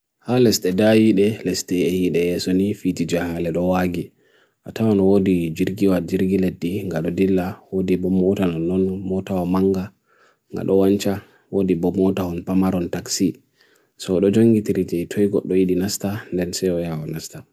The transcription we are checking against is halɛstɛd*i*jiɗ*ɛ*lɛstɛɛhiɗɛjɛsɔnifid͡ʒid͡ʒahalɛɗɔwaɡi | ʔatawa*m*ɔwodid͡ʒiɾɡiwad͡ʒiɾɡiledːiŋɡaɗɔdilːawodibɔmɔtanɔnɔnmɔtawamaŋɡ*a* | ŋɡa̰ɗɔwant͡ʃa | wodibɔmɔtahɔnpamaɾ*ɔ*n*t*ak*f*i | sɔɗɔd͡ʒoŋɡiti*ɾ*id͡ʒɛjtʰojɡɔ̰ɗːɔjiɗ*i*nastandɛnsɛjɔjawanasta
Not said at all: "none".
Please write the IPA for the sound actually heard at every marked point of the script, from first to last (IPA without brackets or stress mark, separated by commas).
a, ɛ, n, a, ɔ, t, s, ɾ, i